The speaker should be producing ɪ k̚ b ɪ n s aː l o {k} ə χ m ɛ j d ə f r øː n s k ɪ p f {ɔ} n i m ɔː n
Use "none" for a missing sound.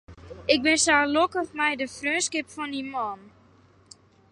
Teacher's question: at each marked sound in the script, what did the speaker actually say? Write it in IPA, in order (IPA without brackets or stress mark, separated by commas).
k, ɔ